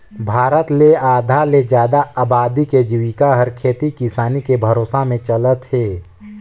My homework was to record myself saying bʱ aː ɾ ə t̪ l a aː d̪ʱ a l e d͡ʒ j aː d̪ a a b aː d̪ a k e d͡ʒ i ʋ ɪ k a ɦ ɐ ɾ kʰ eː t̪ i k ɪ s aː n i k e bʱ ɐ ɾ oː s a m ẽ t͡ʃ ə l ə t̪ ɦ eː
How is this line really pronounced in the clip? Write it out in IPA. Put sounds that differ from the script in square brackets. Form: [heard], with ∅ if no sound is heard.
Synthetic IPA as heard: bʱ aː ɾ ə t̪ l [e] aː d̪ʱ a l e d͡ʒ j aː d̪ a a b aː d̪ [i] k e d͡ʒ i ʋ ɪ k a ɦ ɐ ɾ kʰ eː t̪ i k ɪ s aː n i k e bʱ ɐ ɾ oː s a m ẽ t͡ʃ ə l ə t̪ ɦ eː